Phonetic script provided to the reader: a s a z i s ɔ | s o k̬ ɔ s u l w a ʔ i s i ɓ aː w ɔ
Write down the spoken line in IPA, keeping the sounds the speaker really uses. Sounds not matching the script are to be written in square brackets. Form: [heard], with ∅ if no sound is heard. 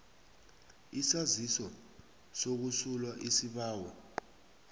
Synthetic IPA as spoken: [i] s a z i s ɔ | s o k̬ [u] s u l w a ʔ i s i ɓ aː w ɔ